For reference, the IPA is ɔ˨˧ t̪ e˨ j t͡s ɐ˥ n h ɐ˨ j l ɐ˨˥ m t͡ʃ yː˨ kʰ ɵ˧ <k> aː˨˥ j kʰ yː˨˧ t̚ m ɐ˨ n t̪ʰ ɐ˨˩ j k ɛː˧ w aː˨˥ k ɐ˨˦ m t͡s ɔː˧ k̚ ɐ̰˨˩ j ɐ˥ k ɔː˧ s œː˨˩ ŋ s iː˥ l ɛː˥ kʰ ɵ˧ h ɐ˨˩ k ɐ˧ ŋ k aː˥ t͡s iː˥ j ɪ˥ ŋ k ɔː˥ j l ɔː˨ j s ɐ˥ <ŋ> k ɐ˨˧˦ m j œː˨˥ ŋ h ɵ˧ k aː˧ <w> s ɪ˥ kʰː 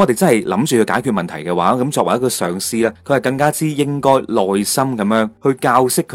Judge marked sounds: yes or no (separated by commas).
yes, no, yes